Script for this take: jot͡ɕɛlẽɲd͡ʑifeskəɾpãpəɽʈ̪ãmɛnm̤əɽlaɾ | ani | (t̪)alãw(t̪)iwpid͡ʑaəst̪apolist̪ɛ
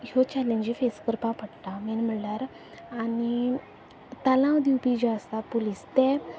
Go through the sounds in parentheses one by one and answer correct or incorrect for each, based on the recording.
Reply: correct, incorrect

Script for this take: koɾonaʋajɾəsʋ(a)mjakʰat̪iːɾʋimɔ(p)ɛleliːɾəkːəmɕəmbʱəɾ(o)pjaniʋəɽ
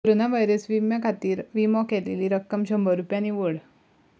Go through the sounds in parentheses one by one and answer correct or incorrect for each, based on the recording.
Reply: incorrect, incorrect, incorrect

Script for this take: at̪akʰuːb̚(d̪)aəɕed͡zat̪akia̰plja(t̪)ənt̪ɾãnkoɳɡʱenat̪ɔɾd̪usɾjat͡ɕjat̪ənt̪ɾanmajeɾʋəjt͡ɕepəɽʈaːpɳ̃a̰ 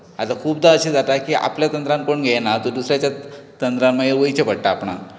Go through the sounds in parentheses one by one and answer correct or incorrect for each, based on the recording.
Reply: correct, correct

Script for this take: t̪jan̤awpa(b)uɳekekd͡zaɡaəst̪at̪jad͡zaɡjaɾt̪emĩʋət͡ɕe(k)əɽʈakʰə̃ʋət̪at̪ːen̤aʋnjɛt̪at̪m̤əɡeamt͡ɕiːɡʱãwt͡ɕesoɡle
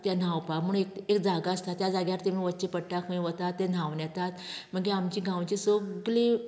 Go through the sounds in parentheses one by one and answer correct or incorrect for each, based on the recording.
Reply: incorrect, incorrect

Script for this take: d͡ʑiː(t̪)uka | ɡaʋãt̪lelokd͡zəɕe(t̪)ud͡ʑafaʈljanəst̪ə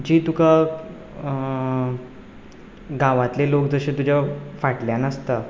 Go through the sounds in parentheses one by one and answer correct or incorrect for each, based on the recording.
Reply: correct, correct

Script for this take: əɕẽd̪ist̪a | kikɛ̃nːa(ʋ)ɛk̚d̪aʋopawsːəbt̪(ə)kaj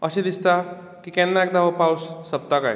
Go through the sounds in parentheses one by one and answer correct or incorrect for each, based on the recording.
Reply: incorrect, incorrect

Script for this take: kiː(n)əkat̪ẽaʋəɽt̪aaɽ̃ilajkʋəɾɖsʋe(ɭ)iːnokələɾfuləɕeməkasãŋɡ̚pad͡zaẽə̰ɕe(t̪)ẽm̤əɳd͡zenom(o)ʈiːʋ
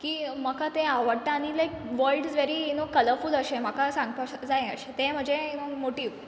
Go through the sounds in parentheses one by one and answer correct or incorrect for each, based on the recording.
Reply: incorrect, incorrect, correct, correct

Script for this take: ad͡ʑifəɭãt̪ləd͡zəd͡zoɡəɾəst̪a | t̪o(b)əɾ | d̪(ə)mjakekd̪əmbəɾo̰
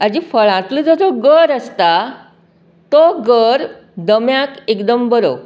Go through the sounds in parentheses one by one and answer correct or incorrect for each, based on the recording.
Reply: incorrect, correct

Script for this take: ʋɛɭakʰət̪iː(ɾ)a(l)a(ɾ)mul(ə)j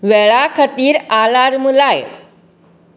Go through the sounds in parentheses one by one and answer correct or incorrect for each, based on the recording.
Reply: correct, correct, correct, incorrect

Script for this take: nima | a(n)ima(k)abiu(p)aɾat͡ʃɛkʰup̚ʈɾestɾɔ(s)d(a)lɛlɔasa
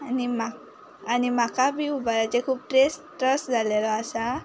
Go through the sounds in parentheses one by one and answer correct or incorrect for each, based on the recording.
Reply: correct, correct, incorrect, correct, correct

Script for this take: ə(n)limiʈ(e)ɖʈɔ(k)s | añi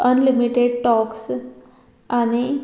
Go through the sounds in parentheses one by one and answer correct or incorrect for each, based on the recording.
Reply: correct, correct, correct

